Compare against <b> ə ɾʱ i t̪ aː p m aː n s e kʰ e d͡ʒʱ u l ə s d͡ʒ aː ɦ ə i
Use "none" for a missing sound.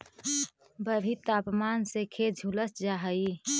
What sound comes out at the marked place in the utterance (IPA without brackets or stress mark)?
b